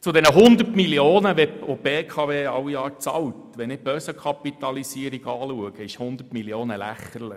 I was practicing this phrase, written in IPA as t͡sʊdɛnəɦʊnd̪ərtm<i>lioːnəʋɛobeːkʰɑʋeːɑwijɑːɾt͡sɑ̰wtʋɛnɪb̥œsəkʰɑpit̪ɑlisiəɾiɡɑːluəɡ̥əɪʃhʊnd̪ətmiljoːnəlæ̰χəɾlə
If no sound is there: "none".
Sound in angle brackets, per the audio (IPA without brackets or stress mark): i